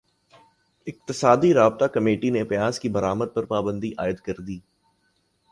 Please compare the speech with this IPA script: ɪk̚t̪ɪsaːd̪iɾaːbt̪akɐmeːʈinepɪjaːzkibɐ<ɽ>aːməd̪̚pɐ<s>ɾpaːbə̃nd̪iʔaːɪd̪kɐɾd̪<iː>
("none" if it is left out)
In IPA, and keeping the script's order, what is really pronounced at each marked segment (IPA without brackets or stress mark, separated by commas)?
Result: ɾ, none, iː